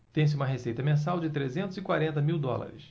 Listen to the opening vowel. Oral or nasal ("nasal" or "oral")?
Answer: nasal